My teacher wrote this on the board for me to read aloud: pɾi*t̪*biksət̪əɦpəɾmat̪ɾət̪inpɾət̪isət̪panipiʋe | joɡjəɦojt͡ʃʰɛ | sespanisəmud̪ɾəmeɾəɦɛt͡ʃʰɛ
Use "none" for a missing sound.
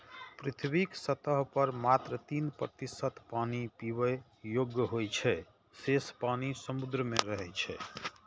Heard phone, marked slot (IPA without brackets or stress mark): t̪ʰ